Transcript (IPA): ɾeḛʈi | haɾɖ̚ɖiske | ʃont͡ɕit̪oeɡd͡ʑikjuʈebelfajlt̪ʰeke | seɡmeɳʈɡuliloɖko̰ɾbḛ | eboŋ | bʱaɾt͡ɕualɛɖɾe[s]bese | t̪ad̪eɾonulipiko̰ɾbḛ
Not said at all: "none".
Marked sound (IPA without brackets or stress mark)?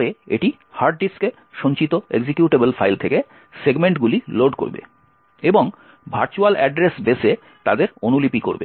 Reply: s